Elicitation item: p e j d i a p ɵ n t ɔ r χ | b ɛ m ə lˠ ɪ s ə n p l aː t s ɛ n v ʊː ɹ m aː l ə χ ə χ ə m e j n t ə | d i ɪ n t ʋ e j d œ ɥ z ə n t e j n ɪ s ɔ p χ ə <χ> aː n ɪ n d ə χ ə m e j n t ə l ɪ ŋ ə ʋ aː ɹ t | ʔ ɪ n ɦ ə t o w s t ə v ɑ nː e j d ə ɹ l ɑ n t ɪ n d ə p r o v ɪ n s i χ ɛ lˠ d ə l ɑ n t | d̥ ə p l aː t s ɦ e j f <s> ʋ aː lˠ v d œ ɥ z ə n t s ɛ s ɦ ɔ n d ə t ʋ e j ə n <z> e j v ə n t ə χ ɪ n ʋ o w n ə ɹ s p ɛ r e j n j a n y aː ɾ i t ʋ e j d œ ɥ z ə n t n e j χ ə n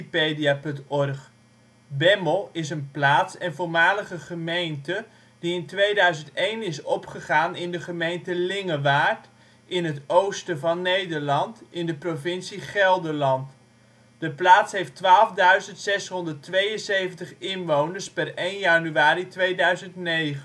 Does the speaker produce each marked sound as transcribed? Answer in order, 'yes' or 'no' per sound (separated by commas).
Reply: yes, no, no